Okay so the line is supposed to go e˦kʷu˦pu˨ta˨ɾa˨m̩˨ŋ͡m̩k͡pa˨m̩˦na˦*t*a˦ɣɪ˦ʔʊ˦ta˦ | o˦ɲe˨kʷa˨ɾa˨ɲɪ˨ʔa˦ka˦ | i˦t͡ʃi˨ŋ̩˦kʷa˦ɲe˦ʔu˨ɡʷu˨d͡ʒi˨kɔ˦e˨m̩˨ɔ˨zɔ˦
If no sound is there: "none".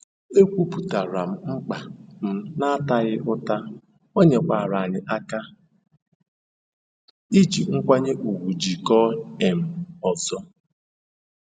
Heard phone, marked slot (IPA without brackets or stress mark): t